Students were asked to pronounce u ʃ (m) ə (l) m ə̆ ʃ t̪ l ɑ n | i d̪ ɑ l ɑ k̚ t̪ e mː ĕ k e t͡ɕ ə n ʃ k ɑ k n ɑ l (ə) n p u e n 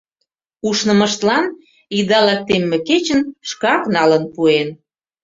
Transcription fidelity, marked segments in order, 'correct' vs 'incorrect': incorrect: n, incorrect: none, correct

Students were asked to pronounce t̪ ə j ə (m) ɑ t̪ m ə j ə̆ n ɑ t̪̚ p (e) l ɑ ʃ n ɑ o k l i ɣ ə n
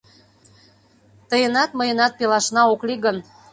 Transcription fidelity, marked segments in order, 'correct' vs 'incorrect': incorrect: n, correct

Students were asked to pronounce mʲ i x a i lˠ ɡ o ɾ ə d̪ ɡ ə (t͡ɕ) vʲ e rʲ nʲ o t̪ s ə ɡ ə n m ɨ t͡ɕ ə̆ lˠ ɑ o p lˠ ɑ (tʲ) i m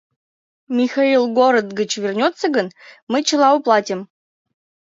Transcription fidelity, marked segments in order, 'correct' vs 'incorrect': correct, correct

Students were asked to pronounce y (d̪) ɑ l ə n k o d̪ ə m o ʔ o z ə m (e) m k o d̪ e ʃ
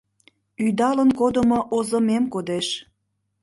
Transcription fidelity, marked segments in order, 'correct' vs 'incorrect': correct, correct

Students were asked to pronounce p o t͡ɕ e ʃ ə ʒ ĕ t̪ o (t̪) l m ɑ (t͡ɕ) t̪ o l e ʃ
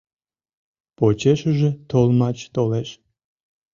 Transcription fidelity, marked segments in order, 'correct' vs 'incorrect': incorrect: none, correct

